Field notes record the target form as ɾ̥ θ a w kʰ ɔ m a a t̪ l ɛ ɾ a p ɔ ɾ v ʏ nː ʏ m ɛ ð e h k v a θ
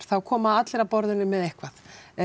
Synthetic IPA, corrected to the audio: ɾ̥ θ a w kʰ ɔː m a a t̪ l ɛ ɾ a p ɔ ɾ ð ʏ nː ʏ m ɛ ð e h k v a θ